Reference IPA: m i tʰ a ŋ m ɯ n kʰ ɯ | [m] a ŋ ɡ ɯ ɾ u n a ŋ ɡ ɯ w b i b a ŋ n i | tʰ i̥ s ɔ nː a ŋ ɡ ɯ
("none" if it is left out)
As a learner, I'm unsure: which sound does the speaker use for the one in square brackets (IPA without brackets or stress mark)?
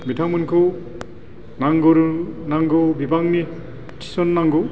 n